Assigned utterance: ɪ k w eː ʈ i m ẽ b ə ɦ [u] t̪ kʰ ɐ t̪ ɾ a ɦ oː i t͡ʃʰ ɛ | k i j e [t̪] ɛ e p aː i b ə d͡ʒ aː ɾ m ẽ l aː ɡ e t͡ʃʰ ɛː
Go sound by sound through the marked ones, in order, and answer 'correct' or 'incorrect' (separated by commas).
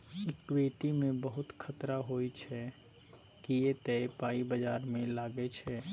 incorrect, correct